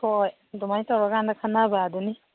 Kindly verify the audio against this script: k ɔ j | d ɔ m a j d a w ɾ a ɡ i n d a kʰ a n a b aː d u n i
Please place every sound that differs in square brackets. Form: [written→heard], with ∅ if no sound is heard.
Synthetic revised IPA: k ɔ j | d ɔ m a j [d→t] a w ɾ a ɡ [i→a] n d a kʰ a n a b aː d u n i